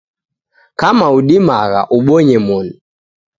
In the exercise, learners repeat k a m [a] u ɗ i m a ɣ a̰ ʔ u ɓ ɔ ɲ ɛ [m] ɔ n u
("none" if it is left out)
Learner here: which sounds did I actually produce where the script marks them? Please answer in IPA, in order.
a, m

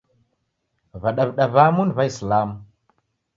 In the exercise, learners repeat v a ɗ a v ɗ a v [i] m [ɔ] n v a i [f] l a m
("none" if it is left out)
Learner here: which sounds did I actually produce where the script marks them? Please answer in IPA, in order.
a, u, s

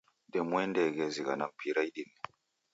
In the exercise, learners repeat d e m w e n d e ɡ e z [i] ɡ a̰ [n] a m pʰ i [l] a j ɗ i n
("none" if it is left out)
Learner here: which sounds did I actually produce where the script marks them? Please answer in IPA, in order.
i, n, ɾ

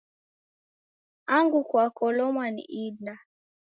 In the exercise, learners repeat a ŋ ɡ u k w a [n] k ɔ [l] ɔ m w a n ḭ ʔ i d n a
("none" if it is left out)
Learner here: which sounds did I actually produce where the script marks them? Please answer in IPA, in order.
none, l

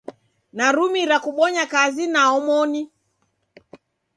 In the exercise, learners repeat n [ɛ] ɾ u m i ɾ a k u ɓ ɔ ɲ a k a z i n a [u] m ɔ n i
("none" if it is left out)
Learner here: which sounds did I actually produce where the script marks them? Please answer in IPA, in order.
a, ɔ

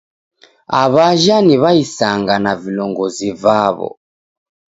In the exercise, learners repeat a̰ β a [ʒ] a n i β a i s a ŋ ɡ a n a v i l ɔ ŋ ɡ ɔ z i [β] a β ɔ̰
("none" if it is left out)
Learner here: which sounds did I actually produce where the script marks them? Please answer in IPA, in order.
ʒ, v

